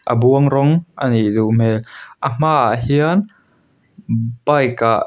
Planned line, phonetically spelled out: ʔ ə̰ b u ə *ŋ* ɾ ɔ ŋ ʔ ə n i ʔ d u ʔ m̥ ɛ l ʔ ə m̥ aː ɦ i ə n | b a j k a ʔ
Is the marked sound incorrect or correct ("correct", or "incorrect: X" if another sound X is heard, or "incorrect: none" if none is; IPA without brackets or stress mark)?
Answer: correct